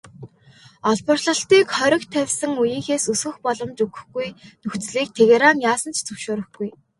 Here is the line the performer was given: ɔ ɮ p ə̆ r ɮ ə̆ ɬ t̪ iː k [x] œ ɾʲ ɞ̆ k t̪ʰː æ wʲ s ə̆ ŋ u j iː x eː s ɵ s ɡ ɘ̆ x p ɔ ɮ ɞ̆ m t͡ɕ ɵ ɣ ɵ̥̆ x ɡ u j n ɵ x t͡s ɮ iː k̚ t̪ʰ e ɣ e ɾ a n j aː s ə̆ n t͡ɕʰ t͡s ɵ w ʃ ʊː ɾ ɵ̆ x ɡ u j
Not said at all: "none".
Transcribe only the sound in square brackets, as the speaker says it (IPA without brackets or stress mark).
χ